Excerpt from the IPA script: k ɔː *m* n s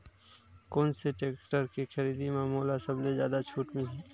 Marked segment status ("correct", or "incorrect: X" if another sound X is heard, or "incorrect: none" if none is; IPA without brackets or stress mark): incorrect: none